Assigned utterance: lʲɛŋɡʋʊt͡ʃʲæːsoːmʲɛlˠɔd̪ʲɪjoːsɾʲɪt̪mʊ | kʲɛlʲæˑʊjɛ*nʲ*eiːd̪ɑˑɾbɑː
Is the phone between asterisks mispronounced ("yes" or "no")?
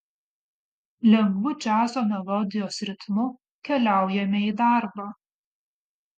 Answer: yes